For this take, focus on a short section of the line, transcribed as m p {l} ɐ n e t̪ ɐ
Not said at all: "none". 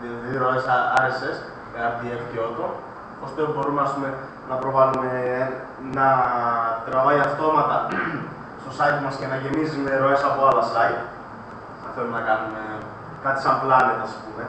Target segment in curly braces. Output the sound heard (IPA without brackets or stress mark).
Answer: l